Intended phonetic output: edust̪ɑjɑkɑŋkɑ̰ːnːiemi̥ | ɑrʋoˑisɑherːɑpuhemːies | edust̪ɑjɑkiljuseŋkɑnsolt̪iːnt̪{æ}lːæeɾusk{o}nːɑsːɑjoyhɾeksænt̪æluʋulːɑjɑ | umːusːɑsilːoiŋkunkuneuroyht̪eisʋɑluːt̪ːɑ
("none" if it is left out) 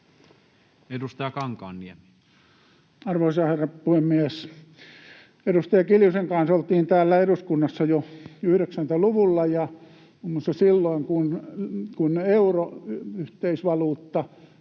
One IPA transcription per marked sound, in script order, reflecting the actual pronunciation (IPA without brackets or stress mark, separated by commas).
æː, u